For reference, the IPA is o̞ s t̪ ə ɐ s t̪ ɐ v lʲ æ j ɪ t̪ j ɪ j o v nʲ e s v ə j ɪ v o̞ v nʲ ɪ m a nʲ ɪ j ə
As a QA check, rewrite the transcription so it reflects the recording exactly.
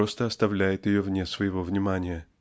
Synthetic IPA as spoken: o̞ s t̪ ə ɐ s t̪ ɐ v lʲ æ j ɪ t̪ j ɪ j o v nʲ e s v ə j ɪ v o̞ v nʲ ɪ m a nʲ ɪ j ə